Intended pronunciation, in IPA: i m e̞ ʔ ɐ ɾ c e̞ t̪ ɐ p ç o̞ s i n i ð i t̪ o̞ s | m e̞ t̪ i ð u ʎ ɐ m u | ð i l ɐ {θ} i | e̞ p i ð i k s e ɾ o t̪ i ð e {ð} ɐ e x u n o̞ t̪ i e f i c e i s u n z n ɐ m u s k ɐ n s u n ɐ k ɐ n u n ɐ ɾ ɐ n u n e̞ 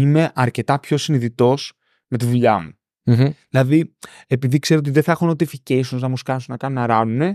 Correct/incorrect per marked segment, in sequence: incorrect: ð, incorrect: θ

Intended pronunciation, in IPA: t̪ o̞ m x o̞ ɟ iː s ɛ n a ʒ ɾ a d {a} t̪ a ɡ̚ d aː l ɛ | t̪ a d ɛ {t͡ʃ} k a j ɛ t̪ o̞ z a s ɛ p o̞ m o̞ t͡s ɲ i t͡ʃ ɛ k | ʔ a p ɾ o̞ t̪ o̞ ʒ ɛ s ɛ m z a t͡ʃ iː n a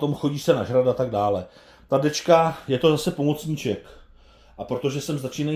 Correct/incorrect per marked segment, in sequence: correct, correct

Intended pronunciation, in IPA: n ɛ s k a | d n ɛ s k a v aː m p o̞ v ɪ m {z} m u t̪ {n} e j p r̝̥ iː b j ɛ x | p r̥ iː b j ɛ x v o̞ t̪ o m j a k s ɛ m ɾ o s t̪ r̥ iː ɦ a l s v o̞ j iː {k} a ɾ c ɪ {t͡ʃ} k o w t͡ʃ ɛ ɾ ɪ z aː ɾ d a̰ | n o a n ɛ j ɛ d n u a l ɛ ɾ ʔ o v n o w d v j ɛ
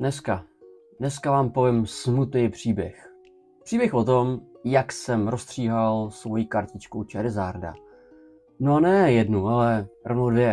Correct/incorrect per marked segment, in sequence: incorrect: s, correct, correct, correct

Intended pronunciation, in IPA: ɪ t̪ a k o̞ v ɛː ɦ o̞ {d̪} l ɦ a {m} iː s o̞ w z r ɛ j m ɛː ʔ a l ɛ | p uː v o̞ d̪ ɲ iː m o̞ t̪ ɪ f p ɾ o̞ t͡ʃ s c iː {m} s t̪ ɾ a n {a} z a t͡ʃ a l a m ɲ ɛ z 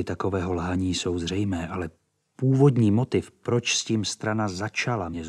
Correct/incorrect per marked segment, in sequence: incorrect: none, incorrect: ɲ, correct, correct

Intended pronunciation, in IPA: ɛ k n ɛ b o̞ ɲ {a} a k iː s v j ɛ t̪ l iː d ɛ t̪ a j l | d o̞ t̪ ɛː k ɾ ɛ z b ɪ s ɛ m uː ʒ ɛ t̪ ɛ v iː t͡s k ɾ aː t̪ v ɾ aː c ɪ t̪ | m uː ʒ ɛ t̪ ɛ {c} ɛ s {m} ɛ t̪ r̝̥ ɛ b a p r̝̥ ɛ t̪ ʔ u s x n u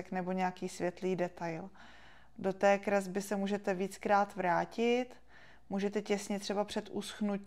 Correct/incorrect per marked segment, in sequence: incorrect: ɛ, correct, incorrect: ɲ

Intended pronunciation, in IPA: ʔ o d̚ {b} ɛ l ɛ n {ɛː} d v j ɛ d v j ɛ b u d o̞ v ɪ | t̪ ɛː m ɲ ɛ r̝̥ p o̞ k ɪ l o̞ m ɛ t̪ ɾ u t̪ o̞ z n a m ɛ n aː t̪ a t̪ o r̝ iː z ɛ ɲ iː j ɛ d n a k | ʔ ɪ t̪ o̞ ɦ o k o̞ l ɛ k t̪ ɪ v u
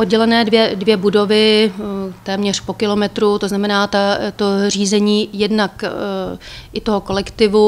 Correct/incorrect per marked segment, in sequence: incorrect: ɟ, correct

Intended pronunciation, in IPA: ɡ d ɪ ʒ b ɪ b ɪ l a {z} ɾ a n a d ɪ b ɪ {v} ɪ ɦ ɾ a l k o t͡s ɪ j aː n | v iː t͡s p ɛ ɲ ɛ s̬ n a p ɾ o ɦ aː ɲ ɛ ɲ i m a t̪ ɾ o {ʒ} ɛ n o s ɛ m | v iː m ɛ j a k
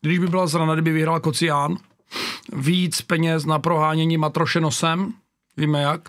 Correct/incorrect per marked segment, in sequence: correct, correct, incorrect: ʃ

